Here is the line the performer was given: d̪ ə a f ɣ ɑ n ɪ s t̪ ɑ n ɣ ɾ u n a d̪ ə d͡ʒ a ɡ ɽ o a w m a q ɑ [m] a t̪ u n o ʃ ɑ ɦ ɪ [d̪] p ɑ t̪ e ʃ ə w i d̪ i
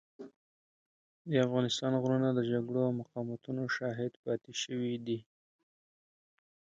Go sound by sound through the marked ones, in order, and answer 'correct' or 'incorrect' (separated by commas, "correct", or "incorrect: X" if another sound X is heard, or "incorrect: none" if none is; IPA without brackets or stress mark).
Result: correct, correct